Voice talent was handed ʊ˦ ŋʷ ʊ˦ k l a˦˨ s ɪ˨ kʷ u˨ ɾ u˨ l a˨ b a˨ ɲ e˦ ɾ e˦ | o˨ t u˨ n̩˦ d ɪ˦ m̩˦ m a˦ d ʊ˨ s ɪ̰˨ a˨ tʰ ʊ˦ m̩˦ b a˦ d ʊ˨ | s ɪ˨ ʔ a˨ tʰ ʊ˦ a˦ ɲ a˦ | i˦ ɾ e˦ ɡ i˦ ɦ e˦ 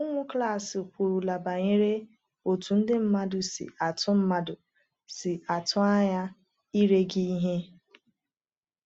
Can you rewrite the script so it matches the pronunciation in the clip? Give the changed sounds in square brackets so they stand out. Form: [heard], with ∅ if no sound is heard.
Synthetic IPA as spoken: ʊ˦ ŋʷ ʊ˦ k l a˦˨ s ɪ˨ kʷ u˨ ɾ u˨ l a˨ b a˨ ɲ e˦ ɾ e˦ | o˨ t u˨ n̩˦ d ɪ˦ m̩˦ m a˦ d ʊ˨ s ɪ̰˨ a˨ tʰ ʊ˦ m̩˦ [m] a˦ d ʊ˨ | s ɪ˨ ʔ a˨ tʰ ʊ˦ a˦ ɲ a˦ | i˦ ɾ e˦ ɡ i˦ ɦ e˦